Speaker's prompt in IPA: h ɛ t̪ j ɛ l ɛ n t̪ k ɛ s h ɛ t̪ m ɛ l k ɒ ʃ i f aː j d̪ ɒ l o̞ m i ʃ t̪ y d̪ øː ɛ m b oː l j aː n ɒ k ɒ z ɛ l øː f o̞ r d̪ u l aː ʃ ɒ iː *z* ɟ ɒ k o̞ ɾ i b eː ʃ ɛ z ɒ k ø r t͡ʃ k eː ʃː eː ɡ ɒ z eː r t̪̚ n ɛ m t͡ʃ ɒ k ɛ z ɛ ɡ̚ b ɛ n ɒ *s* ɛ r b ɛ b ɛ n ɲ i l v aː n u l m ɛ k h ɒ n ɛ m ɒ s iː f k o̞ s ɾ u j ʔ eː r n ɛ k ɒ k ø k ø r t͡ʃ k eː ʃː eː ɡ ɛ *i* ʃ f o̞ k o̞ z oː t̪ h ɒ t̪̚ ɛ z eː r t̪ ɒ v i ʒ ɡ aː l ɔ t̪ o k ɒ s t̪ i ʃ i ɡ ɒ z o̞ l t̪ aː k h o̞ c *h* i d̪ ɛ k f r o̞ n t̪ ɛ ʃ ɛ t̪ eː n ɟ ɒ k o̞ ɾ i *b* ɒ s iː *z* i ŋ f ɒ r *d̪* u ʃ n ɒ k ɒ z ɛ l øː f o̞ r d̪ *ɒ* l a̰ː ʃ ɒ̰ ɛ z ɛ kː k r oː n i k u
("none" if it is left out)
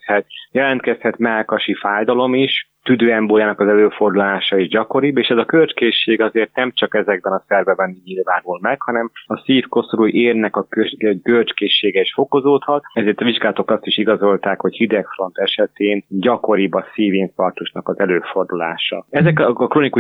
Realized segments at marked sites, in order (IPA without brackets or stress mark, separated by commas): ʒ, s, i, h, b, v, t̪, u